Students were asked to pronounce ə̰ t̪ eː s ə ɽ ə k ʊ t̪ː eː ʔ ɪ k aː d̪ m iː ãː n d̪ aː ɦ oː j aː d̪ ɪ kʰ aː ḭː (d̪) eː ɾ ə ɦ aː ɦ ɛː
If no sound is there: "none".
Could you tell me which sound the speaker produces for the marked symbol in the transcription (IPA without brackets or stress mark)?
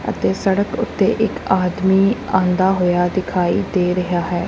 d̪